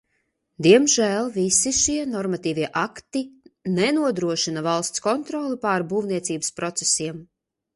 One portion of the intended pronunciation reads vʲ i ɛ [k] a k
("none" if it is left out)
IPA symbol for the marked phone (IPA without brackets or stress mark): ʔ